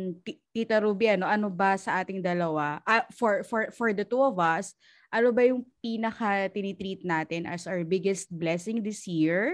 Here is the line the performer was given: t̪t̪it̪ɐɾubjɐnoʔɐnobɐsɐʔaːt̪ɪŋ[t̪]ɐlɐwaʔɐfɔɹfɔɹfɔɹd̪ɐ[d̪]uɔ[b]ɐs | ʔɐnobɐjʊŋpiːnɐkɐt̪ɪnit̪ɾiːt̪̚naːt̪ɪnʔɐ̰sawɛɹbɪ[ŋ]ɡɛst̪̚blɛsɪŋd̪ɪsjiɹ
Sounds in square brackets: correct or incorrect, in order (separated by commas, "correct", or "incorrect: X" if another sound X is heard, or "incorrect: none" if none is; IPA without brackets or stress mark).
incorrect: d̪, incorrect: t̪, incorrect: v, incorrect: none